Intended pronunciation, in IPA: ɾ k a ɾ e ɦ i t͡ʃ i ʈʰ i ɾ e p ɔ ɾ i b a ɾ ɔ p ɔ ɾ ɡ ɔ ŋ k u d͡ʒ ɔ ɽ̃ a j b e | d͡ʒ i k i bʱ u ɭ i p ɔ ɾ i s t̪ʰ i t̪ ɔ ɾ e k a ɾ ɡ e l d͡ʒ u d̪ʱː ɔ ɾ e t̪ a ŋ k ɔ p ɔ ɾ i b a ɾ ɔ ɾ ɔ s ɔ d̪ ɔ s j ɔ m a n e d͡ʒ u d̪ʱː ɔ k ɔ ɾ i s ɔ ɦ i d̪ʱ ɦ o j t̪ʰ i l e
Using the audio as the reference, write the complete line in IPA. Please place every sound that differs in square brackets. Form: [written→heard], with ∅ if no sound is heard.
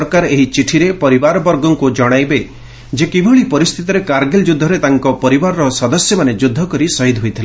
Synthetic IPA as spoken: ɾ k a ɾ e ɦ i t͡ʃ i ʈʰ i ɾ e p ɔ ɾ i b a ɾ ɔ [p→b] ɔ ɾ ɡ ɔ ŋ k u d͡ʒ ɔ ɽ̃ a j b e | d͡ʒ [i→e] k i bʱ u ɭ i p ɔ ɾ i s t̪ʰ i t̪ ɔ ɾ e k a ɾ ɡ e l d͡ʒ u d̪ʱː ɔ ɾ e t̪ a ŋ k ɔ p ɔ ɾ i b a ɾ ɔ ɾ ɔ s ɔ d̪ ɔ s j ɔ m a n e d͡ʒ u d̪ʱː ɔ k ɔ ɾ i s ɔ ɦ i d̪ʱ ɦ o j t̪ʰ i l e